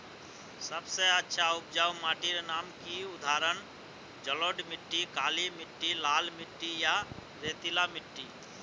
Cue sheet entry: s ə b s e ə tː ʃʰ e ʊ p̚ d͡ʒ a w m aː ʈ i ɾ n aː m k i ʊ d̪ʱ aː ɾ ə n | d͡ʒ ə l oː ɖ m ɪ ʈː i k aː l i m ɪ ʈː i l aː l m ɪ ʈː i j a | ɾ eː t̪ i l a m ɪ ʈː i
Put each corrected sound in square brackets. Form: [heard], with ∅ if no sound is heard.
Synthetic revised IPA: s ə b s e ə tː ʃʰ [a] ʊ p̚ d͡ʒ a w m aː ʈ i ɾ n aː m k i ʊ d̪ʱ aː ɾ ə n | d͡ʒ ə l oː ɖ m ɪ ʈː i k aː l i m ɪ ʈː i l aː l m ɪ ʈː i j a | ɾ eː t̪ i l a m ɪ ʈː i